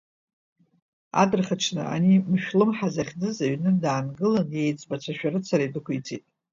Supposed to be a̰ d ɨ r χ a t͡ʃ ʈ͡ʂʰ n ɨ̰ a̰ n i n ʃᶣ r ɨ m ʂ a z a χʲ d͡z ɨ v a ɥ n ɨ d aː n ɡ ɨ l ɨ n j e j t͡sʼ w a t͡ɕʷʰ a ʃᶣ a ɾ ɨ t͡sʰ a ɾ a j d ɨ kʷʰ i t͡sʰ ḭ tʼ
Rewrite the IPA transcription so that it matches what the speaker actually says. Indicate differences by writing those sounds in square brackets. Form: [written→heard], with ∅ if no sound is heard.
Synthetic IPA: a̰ d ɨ r χ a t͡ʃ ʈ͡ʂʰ n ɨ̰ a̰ n i [n→m] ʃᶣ [r→l] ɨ m [ʂ→ħ] a z a χʲ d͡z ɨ [v→z] a ɥ n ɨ d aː n ɡ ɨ l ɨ n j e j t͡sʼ [w→b] a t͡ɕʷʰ a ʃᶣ a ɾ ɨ t͡sʰ a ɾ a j d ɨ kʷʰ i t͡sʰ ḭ tʼ